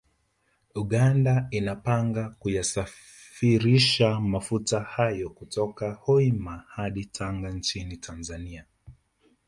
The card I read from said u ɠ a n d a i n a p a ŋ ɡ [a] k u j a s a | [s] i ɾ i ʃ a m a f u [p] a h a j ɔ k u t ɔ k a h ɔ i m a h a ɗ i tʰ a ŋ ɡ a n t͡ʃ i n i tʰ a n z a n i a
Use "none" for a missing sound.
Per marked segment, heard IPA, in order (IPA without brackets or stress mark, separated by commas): a, f, t